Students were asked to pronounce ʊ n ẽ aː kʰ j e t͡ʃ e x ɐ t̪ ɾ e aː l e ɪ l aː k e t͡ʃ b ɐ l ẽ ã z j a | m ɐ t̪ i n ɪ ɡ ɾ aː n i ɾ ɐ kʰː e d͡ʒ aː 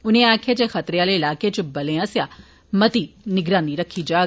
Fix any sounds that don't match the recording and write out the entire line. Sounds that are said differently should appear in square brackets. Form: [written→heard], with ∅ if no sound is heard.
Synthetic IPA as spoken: ʊ n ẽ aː kʰ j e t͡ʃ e x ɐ t̪ ɾ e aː l e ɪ l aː k e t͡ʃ b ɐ l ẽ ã [z→s] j a | m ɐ t̪ i n ɪ ɡ ɾ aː n i ɾ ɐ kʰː [e→i] d͡ʒ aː